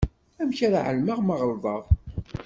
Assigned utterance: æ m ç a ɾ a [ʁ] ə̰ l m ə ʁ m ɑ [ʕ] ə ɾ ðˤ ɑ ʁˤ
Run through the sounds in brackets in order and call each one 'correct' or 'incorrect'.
incorrect: ʕ, incorrect: ʁ

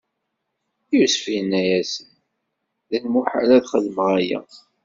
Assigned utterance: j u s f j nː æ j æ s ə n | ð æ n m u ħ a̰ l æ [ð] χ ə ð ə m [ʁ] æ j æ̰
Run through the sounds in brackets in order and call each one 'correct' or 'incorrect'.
correct, correct

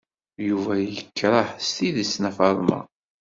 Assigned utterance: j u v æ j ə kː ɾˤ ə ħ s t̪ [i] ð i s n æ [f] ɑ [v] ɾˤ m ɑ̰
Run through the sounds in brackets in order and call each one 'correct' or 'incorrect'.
correct, correct, incorrect: none

